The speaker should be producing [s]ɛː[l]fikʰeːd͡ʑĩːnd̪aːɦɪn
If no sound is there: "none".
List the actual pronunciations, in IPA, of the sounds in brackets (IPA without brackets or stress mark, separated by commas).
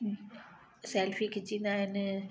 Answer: s, l